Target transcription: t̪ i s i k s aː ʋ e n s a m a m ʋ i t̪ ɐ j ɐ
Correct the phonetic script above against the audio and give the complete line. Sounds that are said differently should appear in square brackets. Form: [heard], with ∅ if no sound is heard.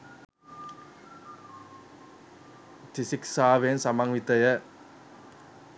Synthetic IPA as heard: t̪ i s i k s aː ʋ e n s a m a [ŋ] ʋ i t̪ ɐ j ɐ